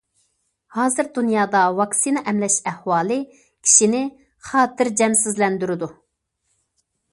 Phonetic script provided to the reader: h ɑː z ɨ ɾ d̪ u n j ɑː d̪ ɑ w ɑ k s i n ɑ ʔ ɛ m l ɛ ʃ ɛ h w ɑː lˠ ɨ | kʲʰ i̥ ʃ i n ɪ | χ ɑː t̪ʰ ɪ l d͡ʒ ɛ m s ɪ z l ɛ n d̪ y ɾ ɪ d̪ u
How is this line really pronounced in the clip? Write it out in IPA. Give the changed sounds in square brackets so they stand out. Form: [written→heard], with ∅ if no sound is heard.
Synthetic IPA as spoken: h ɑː z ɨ ɾ d̪ u n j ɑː d̪ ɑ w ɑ k s i n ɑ ʔ ɛ m l ɛ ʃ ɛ h w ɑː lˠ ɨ | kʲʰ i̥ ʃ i n ɪ | χ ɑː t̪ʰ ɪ [l→ɾ] d͡ʒ ɛ m s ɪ z l ɛ n d̪ y ɾ ɪ d̪ u